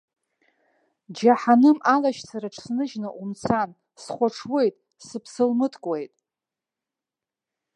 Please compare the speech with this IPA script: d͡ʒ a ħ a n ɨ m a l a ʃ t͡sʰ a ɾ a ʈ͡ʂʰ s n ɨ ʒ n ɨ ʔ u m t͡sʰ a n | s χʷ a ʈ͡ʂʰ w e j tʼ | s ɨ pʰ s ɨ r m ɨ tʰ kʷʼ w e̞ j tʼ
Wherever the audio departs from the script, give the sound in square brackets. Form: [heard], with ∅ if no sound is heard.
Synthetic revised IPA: d͡ʒ a ħ a n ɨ m a l a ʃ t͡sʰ a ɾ a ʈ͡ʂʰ s n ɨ ʒ n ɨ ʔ u m t͡sʰ a n | s χʷ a ʈ͡ʂʰ w e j tʼ | s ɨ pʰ s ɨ [l] m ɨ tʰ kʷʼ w e̞ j tʼ